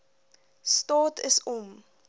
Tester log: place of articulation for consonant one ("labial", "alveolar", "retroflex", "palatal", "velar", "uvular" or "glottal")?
alveolar